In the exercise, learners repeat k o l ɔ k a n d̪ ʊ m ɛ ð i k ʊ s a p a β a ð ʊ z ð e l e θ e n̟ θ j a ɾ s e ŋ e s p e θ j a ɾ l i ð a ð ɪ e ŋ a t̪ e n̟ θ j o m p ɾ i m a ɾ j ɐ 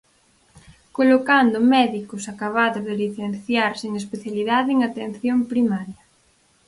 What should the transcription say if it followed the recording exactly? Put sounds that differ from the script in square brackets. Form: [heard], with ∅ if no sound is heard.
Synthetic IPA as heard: k o l [o] k a n d̪ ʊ m ɛ ð i k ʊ s a [k] a β a ð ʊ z ð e l [i] θ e n̟ θ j a ɾ s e ŋ e s p e θ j a [∅] l i ð a ð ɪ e ŋ a t̪ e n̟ θ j o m p ɾ i m a ɾ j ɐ

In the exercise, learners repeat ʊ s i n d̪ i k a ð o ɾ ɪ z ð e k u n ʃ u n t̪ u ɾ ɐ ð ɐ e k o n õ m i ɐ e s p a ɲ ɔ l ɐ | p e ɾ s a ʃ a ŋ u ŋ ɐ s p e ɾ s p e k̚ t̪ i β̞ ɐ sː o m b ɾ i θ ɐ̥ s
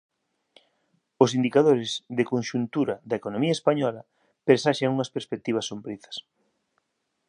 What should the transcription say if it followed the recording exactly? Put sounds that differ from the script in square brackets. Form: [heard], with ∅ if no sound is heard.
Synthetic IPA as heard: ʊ s i n d̪ i k a ð o ɾ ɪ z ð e k [o] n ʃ u n t̪ u ɾ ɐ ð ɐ e k o n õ m i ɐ e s p a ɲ ɔ l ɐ | p e ɾ s a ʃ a ŋ u ŋ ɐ s p e ɾ s p e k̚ t̪ i β̞ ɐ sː o m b ɾ i θ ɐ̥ s

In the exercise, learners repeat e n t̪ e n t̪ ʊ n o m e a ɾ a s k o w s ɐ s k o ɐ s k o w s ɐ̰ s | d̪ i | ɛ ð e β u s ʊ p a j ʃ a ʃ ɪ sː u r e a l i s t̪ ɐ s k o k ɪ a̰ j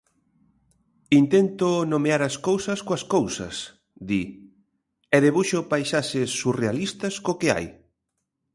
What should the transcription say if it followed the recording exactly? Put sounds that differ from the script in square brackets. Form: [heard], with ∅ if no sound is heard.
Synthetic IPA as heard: [i] n t̪ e n t̪ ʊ n o m e a ɾ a s k o w s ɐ s k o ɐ s k o w s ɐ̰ s | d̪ i | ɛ ð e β u [ʃ] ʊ p a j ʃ a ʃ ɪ sː u r e a l i s t̪ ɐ s k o k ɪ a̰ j

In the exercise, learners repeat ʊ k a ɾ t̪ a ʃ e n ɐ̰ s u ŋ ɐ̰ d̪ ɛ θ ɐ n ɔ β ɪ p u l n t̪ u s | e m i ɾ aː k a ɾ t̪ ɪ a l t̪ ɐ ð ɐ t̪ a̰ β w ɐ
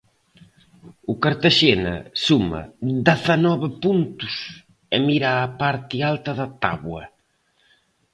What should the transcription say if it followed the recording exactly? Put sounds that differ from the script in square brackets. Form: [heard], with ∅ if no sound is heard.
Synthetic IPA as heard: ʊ k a ɾ t̪ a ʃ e n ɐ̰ s u [m] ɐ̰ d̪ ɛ θ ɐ n ɔ β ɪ p u [∅] n t̪ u s | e m i ɾ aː [p] a ɾ t̪ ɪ a l t̪ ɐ ð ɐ t̪ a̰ β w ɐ

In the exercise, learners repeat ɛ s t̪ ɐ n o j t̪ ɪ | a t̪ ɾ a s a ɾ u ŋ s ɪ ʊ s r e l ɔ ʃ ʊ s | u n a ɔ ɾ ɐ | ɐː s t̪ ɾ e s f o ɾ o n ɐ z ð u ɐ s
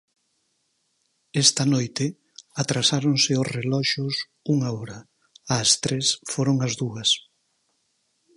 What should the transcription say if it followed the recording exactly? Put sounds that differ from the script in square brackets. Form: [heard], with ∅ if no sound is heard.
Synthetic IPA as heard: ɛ s t̪ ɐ n o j t̪ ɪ | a t̪ ɾ a s a ɾ [o] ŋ s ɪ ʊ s r e l ɔ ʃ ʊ s | u [ŋ] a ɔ ɾ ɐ | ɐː s t̪ ɾ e s f o ɾ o [ŋ] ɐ z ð u ɐ s

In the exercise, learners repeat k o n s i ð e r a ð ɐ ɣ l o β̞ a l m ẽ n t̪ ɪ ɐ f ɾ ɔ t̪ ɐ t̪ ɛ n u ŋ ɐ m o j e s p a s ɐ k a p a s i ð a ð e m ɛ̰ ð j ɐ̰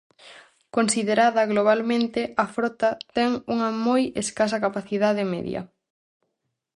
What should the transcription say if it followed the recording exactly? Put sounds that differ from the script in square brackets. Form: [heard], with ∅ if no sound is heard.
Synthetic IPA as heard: k o n s i ð e [ɾ] a ð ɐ ɣ l o β̞ a l m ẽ n t̪ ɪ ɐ f ɾ ɔ t̪ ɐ t̪ ɛ [ŋ] u ŋ ɐ m o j e s [k] a s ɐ k a p a [θ] i ð a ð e m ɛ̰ ð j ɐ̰

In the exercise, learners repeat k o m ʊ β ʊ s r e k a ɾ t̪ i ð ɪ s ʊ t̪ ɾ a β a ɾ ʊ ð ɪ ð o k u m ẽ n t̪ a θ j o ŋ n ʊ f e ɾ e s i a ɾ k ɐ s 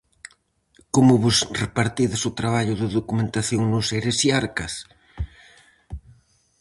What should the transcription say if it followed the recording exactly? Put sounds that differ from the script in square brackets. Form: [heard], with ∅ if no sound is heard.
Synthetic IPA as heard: k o m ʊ β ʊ s r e [p] a ɾ t̪ i ð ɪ s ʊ t̪ ɾ a β a [ʎ] ʊ ð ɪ ð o k u m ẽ n t̪ a θ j o ŋ n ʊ [s] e ɾ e s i a ɾ k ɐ s

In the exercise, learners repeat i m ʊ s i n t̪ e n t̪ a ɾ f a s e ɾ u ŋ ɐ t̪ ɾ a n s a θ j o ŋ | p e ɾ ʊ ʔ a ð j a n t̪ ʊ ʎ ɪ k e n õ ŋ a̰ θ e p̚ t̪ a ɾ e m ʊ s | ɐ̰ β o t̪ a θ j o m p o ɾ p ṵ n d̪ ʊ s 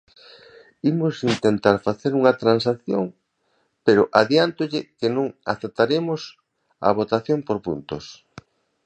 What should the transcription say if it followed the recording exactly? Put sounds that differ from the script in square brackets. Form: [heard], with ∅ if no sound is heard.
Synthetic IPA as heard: i m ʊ s i n t̪ e n t̪ a ɾ f a [θ] e ɾ u ŋ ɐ t̪ ɾ a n s a θ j o ŋ | p e ɾ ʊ ʔ a ð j a n t̪ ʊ ʎ ɪ k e n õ ŋ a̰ θ e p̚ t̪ a ɾ e m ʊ s | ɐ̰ β o t̪ a θ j o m p o ɾ p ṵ n [t̪] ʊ s

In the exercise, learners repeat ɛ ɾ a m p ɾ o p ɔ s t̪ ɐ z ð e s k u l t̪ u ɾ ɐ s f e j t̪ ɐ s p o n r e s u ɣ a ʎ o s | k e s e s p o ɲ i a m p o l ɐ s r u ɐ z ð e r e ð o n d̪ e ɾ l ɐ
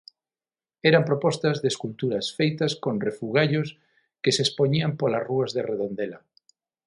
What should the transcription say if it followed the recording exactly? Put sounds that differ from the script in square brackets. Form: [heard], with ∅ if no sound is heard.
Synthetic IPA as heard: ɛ ɾ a m p ɾ o p ɔ s t̪ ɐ z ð e s k u l t̪ u ɾ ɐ s f e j t̪ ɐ s [k] o n r e [f] u ɣ a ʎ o s | k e s e s p o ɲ i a m p o l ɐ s r u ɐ z ð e r e ð o n d̪ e [∅] l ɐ

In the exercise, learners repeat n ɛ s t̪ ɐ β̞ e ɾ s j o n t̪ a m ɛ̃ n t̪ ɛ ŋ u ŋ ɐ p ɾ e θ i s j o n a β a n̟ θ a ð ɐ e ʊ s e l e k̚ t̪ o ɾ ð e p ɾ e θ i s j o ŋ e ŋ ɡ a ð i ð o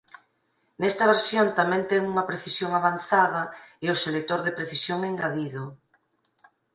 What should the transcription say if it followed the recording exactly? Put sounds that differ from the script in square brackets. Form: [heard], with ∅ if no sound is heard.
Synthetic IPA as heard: n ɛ s t̪ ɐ β̞ e ɾ s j o n t̪ a m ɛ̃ n t̪ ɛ ŋ u ŋ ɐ p ɾ e θ i s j o [ŋ] a β a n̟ θ a ð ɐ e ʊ s e l e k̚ t̪ o ɾ ð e p ɾ e θ i s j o ŋ e ŋ ɡ a ð i ð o

